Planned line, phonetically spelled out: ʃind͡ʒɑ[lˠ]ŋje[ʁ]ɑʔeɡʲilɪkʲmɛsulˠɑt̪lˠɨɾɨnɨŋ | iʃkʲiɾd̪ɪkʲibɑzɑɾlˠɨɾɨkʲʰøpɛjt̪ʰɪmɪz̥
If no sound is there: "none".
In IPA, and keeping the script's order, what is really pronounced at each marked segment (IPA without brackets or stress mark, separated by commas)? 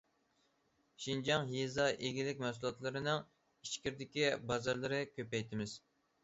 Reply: none, z